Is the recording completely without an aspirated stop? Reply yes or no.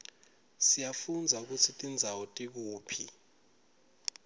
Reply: no